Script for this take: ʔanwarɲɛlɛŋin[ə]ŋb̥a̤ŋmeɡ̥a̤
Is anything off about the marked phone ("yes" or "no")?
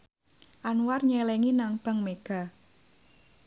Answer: yes